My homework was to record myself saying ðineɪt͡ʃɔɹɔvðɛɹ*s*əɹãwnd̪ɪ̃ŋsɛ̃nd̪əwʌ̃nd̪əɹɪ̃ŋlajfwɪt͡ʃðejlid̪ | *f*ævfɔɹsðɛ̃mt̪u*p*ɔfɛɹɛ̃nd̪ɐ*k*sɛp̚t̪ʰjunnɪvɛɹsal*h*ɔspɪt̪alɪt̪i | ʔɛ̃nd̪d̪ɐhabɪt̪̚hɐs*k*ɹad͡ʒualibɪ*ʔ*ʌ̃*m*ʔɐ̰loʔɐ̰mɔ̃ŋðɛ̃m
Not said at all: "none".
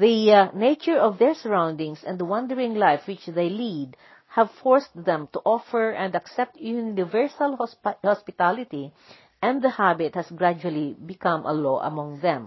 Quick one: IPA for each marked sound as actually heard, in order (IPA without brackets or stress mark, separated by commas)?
s, h, ʔ, k, h, ɡ, k, m